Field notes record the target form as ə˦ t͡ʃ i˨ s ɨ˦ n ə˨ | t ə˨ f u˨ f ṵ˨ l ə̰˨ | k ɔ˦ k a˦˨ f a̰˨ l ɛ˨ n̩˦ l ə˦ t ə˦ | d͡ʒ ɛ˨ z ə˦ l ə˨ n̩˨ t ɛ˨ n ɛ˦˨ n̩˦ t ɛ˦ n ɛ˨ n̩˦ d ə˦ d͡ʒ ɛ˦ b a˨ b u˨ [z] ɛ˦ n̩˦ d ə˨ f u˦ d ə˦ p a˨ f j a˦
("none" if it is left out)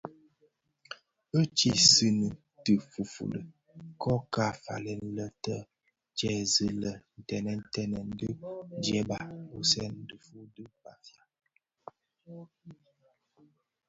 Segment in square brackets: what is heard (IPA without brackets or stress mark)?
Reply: s